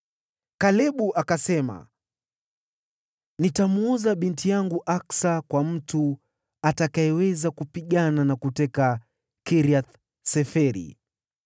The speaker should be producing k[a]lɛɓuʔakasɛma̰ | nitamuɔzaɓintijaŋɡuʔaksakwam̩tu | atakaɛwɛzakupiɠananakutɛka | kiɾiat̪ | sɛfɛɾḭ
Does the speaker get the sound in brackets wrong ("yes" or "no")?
no